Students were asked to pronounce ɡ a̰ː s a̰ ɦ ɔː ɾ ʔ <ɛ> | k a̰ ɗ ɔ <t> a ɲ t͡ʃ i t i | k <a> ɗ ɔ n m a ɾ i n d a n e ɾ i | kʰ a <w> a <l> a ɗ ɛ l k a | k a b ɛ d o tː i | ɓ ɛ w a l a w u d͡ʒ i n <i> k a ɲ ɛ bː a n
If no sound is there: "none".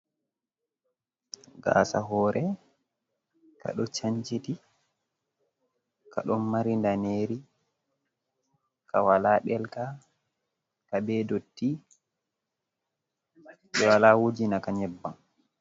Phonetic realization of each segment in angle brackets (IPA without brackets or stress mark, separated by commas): ɛ, t͡ʃ, a, w, l, a